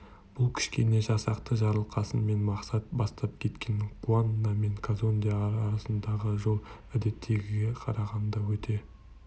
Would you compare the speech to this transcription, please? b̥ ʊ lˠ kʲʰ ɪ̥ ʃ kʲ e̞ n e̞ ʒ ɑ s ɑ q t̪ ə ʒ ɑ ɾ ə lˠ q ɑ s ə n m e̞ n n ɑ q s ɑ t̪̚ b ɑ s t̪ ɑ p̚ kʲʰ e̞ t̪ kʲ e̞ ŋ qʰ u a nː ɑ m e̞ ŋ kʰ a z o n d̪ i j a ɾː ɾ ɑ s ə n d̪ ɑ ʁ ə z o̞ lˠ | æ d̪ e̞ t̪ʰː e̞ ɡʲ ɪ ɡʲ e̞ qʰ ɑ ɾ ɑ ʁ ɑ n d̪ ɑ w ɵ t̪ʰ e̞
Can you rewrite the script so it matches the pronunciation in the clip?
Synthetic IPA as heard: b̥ ʊ lˠ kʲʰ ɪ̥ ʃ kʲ e̞ n e̞ ʒ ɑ s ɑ q t̪ ə ʒ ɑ ɾ ə lˠ q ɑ s ə n m e̞ n m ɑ q s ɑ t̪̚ b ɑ s t̪ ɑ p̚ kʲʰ e̞ t̪ kʲ e̞ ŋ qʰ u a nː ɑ m e̞ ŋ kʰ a z o n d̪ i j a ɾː ɾ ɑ s ə n d̪ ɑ ʁ ə ʒ o̞ lˠ | æ d̪ e̞ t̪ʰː e̞ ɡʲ ɪ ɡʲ e̞ qʰ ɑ ɾ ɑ ʁ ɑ n d̪ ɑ w ɵ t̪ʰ e̞